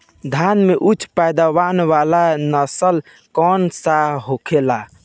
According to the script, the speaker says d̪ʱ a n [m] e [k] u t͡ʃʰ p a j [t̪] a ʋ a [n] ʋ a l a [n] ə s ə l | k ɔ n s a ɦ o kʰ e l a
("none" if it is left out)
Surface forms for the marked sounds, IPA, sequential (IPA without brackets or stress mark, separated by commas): m, ʔ, d̪, n, n